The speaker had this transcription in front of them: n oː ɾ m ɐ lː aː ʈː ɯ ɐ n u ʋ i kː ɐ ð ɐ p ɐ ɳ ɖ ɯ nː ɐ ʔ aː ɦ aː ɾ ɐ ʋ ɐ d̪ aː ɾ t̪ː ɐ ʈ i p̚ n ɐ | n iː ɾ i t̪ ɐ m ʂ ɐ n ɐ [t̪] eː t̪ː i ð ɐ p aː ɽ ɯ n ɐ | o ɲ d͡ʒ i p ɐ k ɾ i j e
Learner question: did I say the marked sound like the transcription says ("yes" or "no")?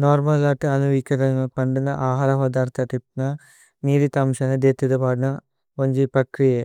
no